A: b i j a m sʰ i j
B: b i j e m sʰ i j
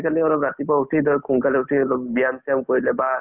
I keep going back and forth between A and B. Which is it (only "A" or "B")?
A